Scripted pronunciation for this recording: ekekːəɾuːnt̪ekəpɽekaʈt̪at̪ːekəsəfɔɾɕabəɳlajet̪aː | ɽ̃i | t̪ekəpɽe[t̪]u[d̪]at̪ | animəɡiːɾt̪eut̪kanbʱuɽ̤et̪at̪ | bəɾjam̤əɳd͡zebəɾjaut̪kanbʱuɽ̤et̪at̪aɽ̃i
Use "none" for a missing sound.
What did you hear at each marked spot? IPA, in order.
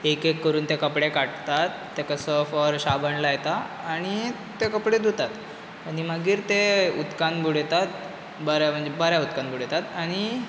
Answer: d̪, t̪

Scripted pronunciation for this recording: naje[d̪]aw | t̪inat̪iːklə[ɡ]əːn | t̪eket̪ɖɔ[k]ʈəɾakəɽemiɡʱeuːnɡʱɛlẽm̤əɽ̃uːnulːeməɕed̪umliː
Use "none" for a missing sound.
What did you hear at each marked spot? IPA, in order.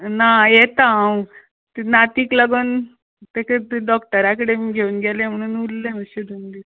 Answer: t̪, ɡ, k

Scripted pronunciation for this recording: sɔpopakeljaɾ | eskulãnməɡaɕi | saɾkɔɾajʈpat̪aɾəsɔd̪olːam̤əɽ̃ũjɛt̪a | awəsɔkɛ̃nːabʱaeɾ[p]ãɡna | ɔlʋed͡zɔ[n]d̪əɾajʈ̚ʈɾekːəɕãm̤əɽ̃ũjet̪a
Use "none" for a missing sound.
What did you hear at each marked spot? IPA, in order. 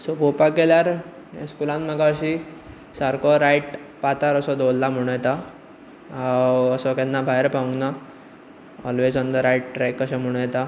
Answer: p, n

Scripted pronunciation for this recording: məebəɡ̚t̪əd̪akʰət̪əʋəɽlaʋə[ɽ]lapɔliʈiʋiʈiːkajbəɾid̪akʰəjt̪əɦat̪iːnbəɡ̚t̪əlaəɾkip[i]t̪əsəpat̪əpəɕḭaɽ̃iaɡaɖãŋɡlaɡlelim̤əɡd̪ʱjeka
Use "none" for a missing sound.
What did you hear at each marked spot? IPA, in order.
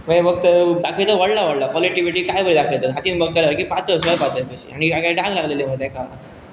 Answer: ɽ, a

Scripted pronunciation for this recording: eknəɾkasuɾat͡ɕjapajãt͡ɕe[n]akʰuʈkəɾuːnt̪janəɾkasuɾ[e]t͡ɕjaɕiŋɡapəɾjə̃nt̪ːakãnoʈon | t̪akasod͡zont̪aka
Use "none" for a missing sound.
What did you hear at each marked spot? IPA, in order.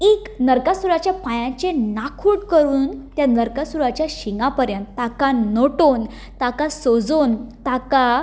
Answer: n, a

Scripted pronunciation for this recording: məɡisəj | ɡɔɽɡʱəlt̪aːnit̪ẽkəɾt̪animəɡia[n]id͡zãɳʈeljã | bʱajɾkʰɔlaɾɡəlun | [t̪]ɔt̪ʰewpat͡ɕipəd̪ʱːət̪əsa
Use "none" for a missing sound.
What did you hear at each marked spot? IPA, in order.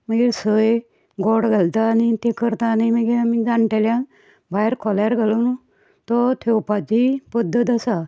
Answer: m, t̪

